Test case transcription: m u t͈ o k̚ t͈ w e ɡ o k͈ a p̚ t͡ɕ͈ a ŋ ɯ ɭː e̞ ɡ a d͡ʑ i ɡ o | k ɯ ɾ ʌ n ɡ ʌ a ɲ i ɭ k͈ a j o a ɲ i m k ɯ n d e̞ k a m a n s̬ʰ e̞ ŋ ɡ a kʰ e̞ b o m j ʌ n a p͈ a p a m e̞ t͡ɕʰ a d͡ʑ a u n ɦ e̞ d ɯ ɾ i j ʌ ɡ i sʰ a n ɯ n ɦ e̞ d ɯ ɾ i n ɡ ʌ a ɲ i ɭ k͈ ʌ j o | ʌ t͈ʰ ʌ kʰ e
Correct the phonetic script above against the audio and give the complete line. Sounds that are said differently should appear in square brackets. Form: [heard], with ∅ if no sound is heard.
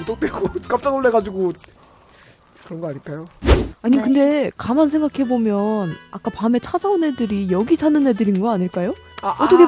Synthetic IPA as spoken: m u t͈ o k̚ t͈ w e ɡ o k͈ a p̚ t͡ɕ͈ a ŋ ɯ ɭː e̞ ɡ a d͡ʑ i ɡ o | k ɯ ɾ ʌ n ɡ ʌ a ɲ i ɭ k͈ a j o a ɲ i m k ɯ n d e̞ k a m a n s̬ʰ e̞ ŋ ɡ a kʰ e̞ b o m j ʌ n a [k͈] a p a m e̞ t͡ɕʰ a d͡ʑ a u n ɦ e̞ d ɯ ɾ i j ʌ ɡ i sʰ a n ɯ n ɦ e̞ d ɯ ɾ i n ɡ ʌ a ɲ i ɭ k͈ [a] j o | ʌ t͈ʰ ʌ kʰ e